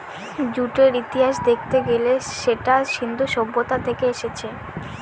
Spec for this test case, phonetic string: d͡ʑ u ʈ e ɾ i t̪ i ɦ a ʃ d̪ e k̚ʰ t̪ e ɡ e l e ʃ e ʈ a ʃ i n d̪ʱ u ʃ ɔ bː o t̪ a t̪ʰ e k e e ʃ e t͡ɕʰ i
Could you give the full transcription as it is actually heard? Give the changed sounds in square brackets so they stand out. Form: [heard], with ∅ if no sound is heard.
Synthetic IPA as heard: d͡ʑ u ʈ e ɾ i t̪ i ɦ a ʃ d̪ e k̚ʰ t̪ e ɡ e l e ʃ e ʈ a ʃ i n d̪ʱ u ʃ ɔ bː o t̪ a t̪ʰ e k e e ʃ e t͡ɕʰ [e]